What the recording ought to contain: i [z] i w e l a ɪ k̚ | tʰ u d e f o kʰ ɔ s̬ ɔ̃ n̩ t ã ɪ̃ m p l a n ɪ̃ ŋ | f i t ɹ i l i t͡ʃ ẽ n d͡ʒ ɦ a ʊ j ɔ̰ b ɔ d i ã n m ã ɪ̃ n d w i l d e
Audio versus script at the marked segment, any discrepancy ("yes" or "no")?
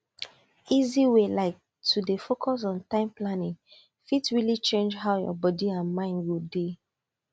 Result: no